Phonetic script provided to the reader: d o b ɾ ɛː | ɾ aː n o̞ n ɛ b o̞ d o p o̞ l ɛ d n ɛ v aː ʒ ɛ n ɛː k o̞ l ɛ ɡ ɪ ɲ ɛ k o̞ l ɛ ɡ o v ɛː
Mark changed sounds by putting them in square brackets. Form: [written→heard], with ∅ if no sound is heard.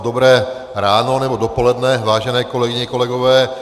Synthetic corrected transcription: d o b ɾ ɛː | ɾ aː n o̞ n ɛ b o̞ d o p o̞ l ɛ d n ɛ v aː ʒ ɛ n ɛː k o̞ l ɛ ɡ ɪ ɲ ɛ k o̞ l ɛ ɡ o v ɛː